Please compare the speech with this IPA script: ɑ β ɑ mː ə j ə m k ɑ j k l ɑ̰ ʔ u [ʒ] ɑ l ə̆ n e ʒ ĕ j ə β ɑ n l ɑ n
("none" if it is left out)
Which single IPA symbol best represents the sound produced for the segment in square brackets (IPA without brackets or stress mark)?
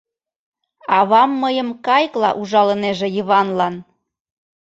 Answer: ʒ